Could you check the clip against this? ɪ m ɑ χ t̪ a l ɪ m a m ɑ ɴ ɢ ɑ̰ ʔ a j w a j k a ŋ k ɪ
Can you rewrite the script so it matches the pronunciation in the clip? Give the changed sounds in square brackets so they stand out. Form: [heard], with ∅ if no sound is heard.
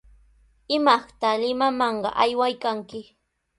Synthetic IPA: ɪ m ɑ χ t̪ a l ɪ m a m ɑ ɴ ɢ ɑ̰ ʔ a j w a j k a ŋ k ɪ